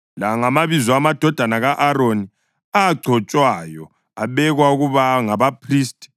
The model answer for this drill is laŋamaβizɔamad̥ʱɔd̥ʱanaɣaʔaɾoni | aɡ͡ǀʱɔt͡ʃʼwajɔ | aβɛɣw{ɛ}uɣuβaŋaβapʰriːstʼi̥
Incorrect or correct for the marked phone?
incorrect: a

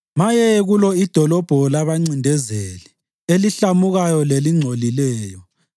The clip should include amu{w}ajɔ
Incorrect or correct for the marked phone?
incorrect: ɣ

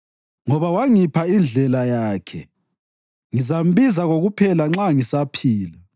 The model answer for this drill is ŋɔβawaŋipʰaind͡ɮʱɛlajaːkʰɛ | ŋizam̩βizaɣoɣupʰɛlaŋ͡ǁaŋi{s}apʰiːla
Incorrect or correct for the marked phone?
correct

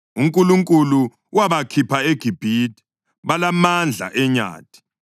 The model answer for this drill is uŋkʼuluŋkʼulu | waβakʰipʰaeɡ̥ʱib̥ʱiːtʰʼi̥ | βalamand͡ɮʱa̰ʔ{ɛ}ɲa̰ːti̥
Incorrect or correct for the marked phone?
correct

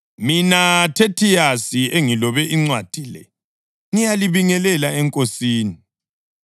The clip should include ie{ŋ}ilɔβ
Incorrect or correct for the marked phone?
correct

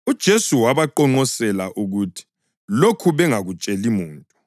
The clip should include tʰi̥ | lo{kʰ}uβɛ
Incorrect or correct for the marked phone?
correct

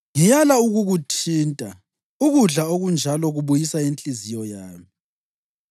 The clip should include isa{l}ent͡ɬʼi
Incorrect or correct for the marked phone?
incorrect: none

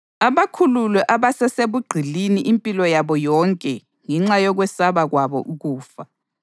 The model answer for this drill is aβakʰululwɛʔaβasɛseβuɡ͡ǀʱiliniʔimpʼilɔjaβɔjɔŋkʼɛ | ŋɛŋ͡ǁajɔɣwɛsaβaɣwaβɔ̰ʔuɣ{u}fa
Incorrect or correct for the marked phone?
incorrect: uː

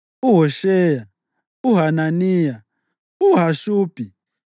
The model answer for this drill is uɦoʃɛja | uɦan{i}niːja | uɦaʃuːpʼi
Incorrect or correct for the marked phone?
incorrect: a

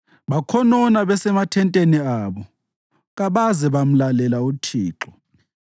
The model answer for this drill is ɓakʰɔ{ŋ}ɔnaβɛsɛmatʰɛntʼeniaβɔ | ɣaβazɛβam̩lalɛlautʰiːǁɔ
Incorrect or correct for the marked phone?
incorrect: n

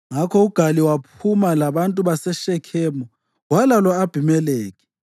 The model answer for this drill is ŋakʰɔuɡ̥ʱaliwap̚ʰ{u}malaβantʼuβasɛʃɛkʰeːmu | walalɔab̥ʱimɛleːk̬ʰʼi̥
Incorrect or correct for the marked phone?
correct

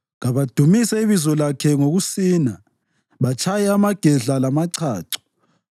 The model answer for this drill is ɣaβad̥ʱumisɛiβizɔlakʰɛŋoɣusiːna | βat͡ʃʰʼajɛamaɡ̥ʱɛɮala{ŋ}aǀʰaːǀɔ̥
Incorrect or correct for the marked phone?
incorrect: m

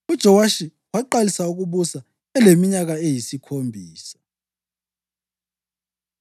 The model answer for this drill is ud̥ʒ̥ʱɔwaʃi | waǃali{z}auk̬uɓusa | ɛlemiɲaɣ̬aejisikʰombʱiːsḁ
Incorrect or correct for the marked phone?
incorrect: s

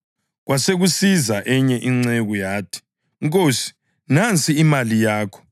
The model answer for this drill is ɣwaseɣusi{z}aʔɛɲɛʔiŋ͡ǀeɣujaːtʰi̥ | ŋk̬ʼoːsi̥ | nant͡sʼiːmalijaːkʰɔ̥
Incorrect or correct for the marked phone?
correct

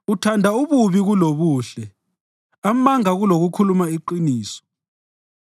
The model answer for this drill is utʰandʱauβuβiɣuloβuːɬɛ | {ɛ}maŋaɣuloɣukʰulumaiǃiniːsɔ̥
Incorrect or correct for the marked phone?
incorrect: a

